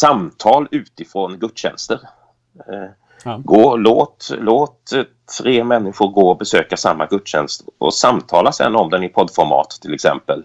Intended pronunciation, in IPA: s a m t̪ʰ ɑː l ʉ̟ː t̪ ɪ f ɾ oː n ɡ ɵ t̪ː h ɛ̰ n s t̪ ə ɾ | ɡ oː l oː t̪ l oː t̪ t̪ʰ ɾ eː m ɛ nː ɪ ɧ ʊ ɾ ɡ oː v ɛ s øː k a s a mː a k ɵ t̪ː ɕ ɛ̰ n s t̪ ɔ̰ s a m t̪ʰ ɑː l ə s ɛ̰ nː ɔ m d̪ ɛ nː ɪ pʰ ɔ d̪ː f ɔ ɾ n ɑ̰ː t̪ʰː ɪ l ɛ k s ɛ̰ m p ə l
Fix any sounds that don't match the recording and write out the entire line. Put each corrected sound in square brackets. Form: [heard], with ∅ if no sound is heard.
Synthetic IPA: s a m t̪ʰ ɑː l ʉ̟ː t̪ ɪ f ɾ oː n ɡ ɵ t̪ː [ɕ] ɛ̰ n s t̪ ə ɾ | ɡ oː l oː t̪ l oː t̪ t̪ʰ ɾ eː m ɛ nː ɪ ɧ ʊ ɾ ɡ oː [b] ɛ s øː k a s a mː a [ɡ] ɵ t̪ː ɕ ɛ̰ n s t̪ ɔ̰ s a m t̪ʰ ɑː l [a] s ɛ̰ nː ɔ m d̪ ɛ [n] ɪ pʰ ɔ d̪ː f ɔ ɾ [m] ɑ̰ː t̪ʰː ɪ l ɛ k s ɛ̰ m p ə l